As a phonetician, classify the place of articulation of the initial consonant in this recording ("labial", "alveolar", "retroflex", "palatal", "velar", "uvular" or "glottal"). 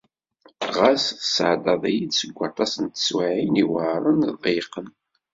uvular